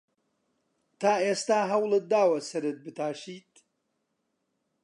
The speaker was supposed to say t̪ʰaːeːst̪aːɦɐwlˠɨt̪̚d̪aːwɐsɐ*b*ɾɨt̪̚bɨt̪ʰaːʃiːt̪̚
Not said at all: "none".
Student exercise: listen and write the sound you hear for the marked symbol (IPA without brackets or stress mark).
none